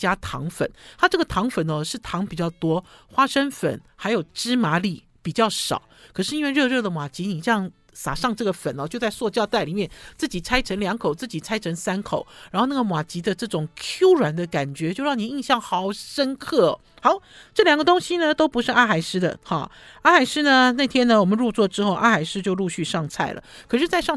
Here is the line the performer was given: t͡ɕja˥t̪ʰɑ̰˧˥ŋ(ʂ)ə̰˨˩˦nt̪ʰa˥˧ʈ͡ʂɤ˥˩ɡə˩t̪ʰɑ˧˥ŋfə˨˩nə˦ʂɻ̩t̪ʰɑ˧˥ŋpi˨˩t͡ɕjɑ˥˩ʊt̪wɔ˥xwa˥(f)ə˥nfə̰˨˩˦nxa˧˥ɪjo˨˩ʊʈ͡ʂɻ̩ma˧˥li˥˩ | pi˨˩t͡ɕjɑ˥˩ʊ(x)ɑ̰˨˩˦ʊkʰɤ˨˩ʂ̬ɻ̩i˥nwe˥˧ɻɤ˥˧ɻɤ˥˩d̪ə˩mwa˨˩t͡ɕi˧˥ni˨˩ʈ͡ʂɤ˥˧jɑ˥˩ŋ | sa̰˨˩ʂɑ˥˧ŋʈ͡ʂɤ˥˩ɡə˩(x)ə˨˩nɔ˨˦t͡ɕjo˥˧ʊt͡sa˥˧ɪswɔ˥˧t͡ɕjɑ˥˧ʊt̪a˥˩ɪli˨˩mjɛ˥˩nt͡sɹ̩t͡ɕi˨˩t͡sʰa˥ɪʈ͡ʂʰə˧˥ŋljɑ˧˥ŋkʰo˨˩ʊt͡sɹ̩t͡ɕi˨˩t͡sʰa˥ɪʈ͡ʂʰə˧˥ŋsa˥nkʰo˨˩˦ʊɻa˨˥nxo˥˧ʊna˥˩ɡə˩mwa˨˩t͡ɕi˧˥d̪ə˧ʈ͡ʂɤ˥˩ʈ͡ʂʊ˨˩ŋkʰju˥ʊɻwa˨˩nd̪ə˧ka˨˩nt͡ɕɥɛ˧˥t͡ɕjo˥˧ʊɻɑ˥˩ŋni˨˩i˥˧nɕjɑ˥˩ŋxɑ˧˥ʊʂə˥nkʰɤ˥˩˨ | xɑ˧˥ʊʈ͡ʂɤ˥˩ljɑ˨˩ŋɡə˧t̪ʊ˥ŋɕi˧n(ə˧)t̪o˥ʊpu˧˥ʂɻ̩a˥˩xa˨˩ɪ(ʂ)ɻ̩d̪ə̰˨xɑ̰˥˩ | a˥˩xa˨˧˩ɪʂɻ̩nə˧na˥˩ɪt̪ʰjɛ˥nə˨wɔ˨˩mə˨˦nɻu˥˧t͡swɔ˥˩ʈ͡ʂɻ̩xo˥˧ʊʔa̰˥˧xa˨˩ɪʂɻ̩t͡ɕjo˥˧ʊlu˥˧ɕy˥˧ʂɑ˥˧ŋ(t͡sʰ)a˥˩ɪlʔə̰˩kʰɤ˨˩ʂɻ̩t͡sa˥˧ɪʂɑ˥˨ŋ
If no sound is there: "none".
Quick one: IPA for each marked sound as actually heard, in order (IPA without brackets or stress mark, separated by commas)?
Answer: f, ʂ, ʂ, f, ə˧, ʂ, t͡sʰ